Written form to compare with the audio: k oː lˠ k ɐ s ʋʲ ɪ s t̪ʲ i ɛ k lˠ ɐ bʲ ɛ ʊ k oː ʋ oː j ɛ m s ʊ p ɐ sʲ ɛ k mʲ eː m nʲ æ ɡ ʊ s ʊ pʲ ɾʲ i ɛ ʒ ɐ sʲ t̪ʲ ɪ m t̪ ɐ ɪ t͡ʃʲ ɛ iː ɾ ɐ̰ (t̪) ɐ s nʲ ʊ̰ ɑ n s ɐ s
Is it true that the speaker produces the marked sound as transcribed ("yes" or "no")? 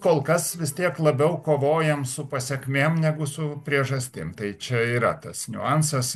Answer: yes